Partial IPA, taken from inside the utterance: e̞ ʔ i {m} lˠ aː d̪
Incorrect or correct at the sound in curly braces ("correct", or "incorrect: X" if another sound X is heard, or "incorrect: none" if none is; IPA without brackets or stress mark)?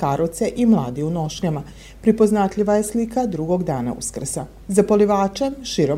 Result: correct